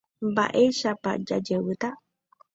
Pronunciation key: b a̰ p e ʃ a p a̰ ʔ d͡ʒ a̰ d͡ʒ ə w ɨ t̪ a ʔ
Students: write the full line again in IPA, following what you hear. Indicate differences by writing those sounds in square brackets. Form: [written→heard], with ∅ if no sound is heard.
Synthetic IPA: b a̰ [p→ʔ] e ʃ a p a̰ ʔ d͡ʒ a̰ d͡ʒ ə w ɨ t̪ a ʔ

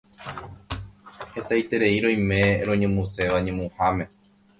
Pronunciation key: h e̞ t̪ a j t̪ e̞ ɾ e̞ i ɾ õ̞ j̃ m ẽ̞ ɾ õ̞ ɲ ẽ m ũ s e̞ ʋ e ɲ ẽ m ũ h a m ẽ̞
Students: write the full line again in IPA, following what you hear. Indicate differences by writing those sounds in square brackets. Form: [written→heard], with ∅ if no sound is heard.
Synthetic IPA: h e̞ t̪ a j t̪ e̞ ɾ e̞ i ɾ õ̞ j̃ m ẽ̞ ɾ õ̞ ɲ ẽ m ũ s e̞ ʋ [e→a] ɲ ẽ m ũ h a m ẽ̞

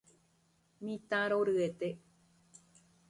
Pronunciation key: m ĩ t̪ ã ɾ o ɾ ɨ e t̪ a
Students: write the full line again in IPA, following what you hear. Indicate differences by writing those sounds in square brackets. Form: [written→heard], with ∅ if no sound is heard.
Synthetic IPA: m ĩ t̪ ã ɾ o ɾ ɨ e t̪ [a→e]

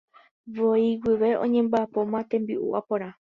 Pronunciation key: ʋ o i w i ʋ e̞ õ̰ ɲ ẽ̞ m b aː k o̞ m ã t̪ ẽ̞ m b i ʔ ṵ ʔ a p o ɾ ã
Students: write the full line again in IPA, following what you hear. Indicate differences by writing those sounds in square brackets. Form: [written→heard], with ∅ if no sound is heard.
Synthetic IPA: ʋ o i w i ʋ e̞ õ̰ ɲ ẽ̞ m b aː [k→p] o̞ m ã t̪ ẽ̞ m b i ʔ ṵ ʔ a p o ɾ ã

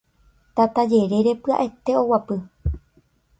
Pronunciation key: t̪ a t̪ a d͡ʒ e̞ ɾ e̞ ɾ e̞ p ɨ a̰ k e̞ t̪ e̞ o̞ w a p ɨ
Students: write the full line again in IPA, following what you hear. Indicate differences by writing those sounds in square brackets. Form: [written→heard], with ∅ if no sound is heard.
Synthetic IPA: t̪ a t̪ a d͡ʒ e̞ ɾ e̞ ɾ e̞ p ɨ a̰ [k→ʔ] e̞ t̪ e̞ o̞ w a p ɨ

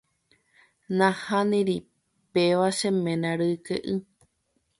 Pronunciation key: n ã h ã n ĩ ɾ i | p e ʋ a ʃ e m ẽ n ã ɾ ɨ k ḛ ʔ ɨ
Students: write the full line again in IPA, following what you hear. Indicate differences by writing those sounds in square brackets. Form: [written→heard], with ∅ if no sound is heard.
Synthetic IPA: n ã h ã n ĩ ɾ i | p e ʋ a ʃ e m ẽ n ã ɾ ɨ k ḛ ʔ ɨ

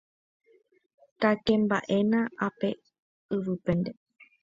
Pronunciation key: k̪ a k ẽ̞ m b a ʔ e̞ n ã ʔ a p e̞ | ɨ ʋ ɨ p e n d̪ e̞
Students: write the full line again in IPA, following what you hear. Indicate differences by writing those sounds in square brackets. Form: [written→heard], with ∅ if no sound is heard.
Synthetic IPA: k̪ a k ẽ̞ m b a ʔ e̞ n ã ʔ a p e̞ | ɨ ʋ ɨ p e n d̪ e̞

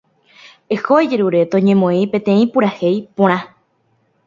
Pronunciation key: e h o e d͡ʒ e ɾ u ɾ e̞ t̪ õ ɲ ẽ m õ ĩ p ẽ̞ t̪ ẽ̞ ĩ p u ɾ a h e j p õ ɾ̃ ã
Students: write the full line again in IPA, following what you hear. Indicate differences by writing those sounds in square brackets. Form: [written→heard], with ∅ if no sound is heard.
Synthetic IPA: e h o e d͡ʒ e ɾ u ɾ e̞ t̪ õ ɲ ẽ m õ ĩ p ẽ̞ t̪ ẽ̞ ĩ p u ɾ a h e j p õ ɾ̃ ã

